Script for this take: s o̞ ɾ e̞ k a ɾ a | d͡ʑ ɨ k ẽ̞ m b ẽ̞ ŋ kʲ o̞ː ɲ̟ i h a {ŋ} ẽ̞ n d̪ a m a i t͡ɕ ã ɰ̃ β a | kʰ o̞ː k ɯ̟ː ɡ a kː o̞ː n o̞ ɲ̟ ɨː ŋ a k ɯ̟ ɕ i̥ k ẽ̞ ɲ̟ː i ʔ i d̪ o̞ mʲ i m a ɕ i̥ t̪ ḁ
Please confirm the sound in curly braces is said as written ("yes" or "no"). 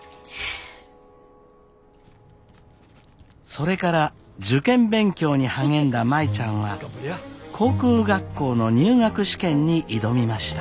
yes